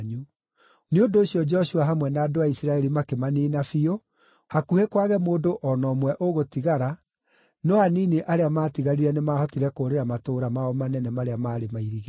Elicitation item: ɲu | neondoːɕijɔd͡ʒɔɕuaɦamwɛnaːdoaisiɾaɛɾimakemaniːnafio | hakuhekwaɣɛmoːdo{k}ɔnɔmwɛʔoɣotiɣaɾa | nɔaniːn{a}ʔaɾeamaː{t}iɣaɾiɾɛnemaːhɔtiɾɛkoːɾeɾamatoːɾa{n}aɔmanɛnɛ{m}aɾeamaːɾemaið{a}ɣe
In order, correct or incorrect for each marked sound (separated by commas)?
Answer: incorrect, incorrect, correct, incorrect, correct, incorrect